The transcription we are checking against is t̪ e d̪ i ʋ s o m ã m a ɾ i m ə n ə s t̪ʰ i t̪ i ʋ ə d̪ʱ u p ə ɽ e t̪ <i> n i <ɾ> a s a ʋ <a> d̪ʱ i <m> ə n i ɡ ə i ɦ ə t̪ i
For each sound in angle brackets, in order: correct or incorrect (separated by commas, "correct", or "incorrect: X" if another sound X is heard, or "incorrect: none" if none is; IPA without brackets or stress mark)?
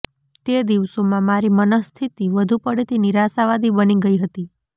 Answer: correct, correct, correct, incorrect: b